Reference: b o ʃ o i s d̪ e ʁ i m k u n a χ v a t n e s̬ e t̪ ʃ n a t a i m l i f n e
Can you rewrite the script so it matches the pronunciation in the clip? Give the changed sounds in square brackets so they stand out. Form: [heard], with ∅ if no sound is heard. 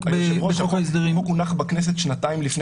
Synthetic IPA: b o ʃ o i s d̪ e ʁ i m k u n a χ [b] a [k] n e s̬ e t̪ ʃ n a t a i m l i f n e